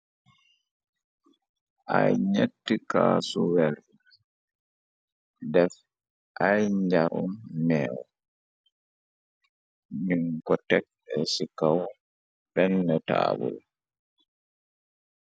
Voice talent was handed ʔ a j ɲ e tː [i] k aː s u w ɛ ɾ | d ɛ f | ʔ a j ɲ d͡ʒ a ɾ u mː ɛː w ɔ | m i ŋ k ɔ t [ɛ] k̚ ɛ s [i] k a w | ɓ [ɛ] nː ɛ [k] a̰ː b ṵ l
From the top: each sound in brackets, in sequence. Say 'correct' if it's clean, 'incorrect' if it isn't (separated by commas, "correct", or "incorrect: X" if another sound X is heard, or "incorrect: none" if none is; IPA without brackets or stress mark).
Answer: correct, correct, correct, correct, incorrect: t